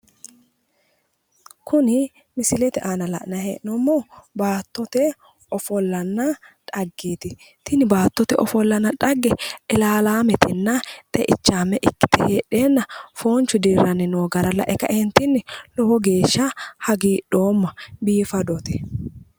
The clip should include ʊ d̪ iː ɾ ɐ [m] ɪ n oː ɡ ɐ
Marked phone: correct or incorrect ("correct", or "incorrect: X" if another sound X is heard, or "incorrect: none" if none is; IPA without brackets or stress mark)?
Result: incorrect: n